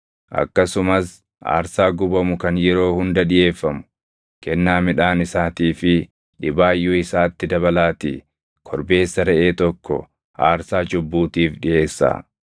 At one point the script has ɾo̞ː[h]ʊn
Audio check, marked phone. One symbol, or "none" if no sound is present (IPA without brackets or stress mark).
h